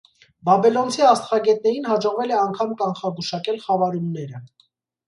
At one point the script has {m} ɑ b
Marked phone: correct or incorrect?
incorrect